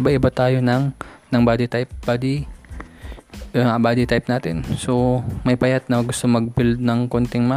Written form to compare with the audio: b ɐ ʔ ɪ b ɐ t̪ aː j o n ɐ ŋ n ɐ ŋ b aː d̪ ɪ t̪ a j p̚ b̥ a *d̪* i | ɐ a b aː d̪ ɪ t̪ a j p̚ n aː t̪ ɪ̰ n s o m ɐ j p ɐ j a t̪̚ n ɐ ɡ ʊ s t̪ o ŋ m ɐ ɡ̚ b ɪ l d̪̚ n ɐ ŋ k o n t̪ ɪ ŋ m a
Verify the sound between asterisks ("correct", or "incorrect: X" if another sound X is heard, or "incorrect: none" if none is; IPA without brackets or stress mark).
correct